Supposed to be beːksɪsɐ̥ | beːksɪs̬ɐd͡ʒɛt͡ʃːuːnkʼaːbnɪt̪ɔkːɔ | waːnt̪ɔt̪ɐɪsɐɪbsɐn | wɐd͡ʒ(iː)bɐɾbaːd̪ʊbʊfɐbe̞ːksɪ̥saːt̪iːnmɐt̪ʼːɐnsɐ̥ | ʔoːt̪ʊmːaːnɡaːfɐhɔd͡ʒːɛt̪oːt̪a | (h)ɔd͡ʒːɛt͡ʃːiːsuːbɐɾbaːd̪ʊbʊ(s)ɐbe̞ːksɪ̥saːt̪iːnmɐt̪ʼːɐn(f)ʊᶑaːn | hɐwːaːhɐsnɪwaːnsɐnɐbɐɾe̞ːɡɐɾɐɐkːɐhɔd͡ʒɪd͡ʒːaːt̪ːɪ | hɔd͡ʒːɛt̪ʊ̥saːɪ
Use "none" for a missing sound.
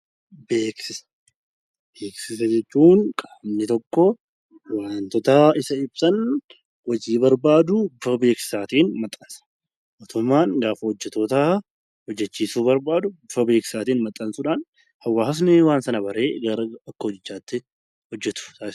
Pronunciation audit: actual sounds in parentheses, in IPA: iː, h, f, s

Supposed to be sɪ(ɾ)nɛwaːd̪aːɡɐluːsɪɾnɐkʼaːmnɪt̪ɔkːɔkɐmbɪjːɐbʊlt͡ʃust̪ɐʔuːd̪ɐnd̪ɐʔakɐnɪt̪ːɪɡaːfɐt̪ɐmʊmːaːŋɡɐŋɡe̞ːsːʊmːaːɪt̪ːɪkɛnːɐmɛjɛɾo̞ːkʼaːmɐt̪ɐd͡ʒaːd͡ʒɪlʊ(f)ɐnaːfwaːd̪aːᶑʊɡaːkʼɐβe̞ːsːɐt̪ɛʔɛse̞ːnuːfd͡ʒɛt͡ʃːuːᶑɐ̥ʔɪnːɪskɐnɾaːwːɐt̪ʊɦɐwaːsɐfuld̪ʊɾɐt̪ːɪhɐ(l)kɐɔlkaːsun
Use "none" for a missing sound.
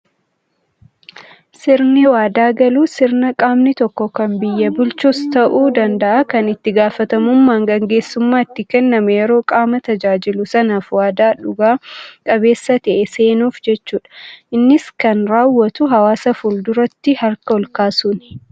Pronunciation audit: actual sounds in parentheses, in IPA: ɾ, s, ɾ

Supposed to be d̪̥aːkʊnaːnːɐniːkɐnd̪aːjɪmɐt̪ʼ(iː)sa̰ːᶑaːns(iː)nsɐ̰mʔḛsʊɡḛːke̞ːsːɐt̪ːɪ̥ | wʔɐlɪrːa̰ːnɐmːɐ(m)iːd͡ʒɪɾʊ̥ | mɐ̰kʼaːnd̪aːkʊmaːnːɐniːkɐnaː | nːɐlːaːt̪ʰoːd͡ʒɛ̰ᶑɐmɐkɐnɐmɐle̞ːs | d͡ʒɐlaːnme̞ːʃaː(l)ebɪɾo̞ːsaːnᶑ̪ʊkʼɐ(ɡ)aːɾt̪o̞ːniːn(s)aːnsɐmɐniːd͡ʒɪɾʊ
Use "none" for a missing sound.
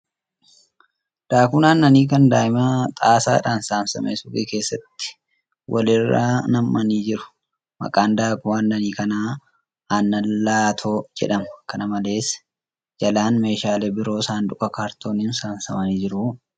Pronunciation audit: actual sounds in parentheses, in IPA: aː, aː, n, l, k, s

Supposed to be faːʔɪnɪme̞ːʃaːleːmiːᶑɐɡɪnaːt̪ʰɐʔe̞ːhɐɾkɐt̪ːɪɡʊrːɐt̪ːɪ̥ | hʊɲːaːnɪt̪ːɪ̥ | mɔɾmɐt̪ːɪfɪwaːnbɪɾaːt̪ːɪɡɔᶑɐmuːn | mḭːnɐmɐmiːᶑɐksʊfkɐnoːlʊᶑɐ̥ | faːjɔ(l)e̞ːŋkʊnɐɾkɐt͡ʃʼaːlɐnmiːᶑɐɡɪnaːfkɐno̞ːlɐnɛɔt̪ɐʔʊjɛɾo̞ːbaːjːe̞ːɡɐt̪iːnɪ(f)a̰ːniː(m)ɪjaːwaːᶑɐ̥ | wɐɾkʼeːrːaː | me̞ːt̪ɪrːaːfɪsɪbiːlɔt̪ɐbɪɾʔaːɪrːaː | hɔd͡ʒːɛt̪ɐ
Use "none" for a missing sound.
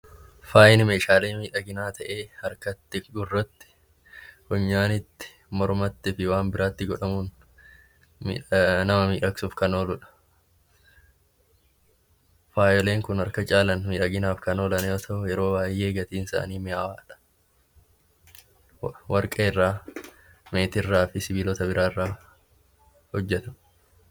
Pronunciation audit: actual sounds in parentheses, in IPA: l, s, m

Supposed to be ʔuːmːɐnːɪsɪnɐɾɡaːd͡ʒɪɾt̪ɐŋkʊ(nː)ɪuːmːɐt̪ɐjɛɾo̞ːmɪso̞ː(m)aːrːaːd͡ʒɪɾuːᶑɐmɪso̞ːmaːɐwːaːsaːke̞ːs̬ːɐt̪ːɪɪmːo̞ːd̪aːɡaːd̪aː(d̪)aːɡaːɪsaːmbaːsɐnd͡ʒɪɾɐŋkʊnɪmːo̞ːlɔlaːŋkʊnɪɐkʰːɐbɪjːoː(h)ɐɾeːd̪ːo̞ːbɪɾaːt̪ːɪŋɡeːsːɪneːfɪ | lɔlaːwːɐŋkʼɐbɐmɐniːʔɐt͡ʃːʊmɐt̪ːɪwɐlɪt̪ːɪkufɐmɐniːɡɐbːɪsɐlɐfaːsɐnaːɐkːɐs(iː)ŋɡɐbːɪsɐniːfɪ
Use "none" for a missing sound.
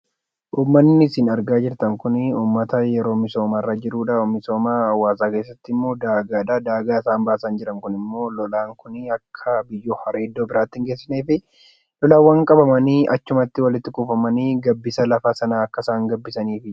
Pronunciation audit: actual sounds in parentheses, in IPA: n, m, d̪, h, aː

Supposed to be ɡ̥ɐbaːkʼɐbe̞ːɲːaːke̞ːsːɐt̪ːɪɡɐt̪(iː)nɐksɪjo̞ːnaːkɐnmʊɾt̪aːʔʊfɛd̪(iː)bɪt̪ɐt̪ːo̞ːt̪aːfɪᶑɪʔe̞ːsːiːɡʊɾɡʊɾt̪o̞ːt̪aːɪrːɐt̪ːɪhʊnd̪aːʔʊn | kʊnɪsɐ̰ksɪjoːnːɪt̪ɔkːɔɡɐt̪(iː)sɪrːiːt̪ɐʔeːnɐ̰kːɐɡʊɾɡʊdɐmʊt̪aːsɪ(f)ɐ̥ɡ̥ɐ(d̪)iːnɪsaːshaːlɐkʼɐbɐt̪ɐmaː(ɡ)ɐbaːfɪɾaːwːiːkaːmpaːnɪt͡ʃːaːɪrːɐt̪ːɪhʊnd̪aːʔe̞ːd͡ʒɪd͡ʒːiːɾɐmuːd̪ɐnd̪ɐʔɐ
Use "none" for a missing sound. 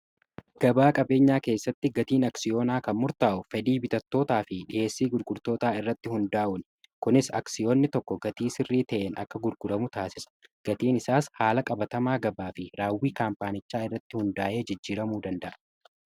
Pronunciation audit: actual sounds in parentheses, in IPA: iː, iː, iː, s, t̪, ɡ

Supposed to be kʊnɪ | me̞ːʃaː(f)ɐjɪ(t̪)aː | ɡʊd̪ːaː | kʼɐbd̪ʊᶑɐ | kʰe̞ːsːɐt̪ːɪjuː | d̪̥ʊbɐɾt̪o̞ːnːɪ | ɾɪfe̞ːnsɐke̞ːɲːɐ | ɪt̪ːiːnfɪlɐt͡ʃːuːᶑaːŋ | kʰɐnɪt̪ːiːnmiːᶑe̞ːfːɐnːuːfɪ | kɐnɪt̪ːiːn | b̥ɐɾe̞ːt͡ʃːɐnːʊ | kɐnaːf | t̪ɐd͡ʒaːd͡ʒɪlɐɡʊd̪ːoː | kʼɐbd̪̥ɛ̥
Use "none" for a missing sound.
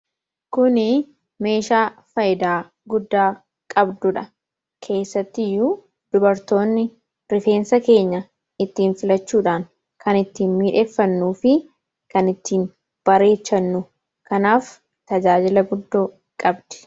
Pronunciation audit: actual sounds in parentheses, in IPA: f, d̪

